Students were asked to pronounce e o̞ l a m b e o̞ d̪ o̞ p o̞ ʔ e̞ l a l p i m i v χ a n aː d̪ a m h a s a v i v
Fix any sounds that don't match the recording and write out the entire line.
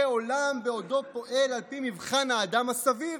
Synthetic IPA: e o̞ l a m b e o̞ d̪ o̞ p o̞ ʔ e̞ l a l p i m i v χ a n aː d̪ a m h a s a v i v